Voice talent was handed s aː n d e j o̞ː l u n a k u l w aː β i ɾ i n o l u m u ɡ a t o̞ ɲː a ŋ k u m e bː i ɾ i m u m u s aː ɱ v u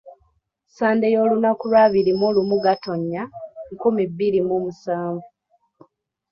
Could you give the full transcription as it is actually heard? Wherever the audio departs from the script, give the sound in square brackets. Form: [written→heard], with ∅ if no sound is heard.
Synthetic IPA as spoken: s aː n d e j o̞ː l u n a k u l w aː β i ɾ i [n→m] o l u m u ɡ a t o̞ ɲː a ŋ k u m [e→i] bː i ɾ i m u m u s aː ɱ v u